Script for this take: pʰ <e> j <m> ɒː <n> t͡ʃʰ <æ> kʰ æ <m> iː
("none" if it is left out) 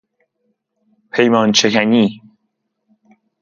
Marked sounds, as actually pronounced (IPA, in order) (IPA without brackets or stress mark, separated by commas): e, m, n, e, n